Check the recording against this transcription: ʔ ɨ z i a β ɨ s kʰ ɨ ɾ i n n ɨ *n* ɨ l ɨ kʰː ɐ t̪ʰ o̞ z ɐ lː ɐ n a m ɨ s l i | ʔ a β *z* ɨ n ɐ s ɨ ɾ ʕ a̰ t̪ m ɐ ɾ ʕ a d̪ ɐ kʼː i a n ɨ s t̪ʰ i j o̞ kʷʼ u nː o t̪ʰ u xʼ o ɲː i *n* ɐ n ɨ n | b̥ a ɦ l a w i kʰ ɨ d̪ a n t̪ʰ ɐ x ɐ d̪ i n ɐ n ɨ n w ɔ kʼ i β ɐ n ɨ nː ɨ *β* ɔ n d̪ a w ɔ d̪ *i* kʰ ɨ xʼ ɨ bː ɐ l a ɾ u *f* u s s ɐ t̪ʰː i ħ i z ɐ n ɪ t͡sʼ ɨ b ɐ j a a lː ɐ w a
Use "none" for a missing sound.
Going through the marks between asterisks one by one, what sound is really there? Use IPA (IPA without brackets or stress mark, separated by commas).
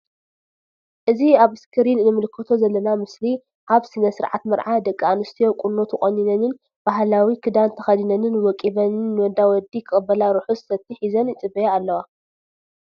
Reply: m, s, n, w, i, ħ